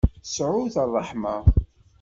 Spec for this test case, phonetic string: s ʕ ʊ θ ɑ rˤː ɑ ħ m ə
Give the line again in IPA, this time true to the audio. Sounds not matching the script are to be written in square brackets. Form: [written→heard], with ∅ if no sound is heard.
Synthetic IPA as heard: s ʕ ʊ θ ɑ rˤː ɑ ħ m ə

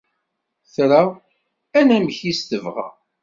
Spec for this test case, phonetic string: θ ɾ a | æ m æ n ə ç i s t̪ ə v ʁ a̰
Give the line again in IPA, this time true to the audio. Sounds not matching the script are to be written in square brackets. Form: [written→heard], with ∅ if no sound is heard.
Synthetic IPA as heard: θ ɾ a | æ [m→n] æ [n→m] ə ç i s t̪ ə v ʁ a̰

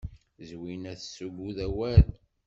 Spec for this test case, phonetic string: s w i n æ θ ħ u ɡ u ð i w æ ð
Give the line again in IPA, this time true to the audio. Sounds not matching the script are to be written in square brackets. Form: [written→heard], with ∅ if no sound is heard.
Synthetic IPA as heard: [s→z] w i n æ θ [ħ→s] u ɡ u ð [i→æ] w æ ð

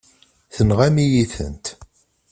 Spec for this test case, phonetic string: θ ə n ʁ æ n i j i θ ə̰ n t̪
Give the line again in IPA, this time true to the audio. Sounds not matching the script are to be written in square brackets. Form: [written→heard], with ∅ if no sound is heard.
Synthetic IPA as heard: θ ə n ʁ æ [n→m] i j i θ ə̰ n t̪

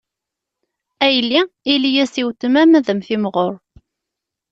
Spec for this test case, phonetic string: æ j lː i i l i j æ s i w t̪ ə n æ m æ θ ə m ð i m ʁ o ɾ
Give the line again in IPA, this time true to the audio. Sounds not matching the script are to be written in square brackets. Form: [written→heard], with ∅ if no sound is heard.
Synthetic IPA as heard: æ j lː i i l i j æ s i w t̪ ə [n→m] æ m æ [θ→ð] ə m [ð→θ] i m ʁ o ɾ

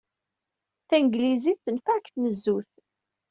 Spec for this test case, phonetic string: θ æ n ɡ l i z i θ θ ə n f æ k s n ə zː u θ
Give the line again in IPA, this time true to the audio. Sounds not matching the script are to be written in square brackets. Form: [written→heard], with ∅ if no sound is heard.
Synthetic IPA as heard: θ æ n ɡ l i z i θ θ ə n f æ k [s→θ] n ə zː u θ

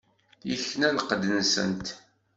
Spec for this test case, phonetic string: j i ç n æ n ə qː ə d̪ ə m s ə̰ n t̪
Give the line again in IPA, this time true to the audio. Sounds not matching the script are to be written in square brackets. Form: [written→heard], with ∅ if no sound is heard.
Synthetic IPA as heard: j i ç n æ n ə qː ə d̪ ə [m→n] s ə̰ n t̪

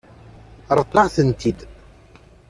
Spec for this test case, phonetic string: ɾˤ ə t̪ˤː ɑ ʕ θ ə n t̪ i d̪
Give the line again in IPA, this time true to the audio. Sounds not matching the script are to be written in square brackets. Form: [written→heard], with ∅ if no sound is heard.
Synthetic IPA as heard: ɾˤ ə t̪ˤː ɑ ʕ θ ə n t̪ i d̪

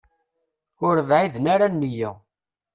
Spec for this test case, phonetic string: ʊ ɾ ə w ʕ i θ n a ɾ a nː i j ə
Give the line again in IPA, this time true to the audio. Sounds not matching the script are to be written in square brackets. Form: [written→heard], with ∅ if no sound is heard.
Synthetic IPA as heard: ʊ ɾ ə [w→v] ʕ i [θ→ð] n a ɾ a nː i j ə

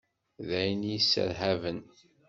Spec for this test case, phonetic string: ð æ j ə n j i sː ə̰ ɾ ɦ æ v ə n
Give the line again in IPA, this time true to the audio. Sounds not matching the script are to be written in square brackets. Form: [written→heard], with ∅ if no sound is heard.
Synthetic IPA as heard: ð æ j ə n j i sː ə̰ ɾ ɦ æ v ə n

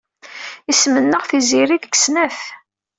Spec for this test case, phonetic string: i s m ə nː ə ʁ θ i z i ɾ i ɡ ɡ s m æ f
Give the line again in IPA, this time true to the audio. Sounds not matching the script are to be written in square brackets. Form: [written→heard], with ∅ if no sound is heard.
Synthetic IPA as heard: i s m ə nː ə ʁ θ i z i ɾ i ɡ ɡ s [m→n] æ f

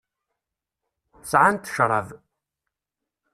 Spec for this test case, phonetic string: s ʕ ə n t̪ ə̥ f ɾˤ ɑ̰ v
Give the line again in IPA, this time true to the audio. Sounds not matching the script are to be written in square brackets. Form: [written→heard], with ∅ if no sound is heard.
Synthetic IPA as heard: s ʕ [ə→a] n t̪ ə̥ [f→ʃ] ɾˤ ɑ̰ v

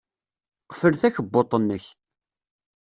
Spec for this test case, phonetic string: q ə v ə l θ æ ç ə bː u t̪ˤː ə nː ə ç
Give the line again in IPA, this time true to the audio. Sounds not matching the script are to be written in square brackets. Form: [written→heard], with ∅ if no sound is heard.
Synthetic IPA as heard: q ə [v→f] ə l θ æ ç ə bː [u→o] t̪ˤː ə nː ə ç

